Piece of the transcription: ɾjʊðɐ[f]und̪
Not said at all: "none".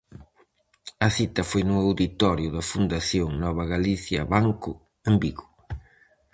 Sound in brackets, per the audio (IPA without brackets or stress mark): f